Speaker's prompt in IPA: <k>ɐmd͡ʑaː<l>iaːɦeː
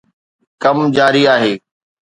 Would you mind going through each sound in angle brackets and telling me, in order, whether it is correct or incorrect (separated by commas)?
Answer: correct, incorrect